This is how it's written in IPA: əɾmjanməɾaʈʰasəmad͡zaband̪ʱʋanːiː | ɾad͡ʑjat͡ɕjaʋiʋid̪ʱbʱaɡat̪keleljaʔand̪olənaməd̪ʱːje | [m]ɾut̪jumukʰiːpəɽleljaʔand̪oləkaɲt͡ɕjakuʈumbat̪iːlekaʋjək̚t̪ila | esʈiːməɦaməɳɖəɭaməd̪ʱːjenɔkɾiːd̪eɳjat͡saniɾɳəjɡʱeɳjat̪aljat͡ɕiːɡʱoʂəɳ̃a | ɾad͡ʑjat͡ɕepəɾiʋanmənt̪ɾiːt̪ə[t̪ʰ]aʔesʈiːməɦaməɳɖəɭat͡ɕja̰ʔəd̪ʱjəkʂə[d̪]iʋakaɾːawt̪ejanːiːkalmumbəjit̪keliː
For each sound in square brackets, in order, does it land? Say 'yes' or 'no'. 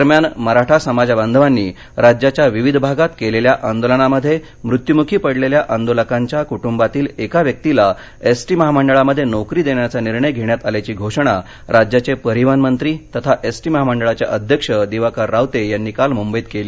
yes, yes, yes

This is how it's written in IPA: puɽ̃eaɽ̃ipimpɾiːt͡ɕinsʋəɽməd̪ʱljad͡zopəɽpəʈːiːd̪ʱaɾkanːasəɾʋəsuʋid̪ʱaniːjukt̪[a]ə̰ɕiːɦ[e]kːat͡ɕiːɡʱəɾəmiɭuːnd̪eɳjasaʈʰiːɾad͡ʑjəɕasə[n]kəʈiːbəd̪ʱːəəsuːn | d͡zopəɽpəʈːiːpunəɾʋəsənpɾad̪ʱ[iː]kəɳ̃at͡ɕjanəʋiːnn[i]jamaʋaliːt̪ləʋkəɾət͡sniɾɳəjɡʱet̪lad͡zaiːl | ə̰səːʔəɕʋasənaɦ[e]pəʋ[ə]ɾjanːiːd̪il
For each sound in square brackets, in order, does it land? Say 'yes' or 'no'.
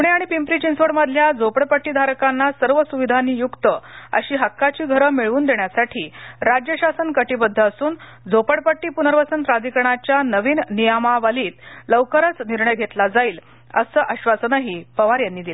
no, no, yes, no, yes, no, no

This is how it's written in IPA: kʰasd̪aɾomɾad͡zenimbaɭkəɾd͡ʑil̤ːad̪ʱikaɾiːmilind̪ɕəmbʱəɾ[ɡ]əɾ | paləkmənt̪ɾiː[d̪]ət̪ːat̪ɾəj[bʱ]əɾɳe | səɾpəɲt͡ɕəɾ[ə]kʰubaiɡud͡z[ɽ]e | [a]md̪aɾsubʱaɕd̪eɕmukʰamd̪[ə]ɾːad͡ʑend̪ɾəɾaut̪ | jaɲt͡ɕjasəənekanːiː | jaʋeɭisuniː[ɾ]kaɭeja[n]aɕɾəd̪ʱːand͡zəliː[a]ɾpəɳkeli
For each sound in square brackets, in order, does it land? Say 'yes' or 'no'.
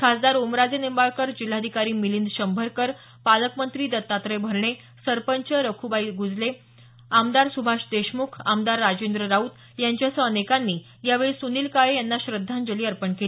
no, yes, yes, yes, no, yes, no, no, no, no

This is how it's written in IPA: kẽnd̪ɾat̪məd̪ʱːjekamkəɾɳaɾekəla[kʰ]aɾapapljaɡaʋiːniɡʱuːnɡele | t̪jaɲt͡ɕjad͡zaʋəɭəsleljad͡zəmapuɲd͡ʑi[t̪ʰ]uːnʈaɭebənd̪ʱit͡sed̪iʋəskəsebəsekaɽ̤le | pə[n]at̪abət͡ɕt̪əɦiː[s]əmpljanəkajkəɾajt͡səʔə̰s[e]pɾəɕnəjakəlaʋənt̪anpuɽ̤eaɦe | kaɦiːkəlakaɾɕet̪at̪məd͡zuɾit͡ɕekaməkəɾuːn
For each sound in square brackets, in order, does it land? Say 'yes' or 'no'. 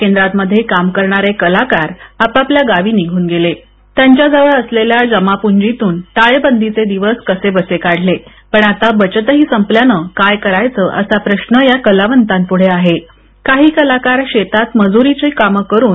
no, no, no, yes, no

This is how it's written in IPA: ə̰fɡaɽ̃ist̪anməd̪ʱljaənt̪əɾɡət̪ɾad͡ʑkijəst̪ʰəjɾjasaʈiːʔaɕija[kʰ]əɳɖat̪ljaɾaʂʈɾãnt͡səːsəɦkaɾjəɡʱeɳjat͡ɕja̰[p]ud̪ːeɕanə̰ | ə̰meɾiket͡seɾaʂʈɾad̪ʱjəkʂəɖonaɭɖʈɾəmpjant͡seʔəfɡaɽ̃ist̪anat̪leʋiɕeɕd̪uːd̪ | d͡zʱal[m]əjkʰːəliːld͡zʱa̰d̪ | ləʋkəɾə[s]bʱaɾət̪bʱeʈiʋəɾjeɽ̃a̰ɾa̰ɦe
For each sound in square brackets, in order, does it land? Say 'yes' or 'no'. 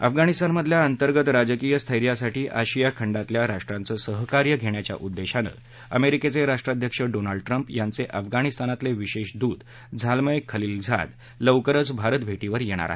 yes, no, yes, no

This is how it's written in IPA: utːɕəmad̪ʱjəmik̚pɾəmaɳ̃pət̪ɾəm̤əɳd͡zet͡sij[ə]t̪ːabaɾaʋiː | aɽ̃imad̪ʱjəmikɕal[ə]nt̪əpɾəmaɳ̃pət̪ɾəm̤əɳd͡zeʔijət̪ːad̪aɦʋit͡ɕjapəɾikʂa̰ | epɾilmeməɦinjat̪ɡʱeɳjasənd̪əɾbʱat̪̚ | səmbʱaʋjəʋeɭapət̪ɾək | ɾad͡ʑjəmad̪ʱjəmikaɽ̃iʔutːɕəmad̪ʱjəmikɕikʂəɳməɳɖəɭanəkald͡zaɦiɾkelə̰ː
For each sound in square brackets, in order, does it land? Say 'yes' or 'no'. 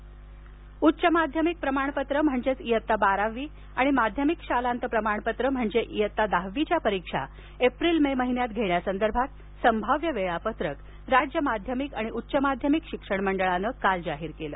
yes, no

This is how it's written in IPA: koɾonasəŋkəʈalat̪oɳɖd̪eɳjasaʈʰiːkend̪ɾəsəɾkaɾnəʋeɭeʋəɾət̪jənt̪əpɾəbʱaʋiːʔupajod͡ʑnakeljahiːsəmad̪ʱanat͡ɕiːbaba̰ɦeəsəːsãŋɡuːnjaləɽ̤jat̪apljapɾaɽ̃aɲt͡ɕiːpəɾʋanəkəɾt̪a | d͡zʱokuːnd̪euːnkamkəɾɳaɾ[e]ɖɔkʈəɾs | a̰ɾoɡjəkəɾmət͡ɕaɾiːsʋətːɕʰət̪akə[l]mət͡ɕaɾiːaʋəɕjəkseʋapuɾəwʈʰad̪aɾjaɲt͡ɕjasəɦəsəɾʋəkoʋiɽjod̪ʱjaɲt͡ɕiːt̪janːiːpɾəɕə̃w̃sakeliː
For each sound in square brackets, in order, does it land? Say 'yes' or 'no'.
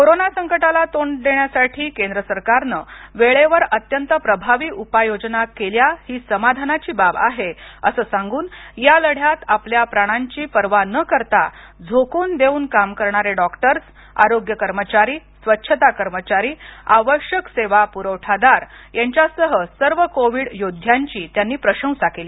yes, no

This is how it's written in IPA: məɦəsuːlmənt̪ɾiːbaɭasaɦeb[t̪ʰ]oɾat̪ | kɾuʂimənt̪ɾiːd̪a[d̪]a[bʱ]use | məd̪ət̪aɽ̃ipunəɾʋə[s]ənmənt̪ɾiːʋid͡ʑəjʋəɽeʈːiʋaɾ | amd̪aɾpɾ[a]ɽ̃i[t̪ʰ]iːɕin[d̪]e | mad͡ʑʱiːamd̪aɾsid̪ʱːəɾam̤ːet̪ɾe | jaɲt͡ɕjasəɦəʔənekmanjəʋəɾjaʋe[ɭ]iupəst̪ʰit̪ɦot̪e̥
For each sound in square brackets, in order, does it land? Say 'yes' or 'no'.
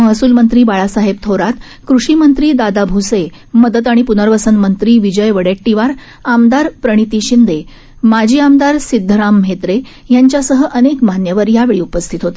yes, yes, yes, yes, no, no, yes, yes

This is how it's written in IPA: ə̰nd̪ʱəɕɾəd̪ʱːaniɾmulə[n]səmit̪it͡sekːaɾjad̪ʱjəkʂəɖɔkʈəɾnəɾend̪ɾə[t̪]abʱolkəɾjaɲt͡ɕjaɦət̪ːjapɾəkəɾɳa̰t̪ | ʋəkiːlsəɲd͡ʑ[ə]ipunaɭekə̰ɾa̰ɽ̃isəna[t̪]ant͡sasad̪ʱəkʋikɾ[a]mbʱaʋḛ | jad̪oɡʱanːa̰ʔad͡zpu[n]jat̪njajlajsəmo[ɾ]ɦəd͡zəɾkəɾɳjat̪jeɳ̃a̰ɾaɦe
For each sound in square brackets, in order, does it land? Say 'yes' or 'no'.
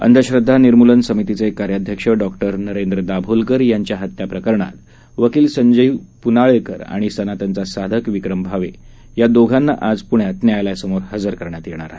yes, no, yes, yes, no, no, yes

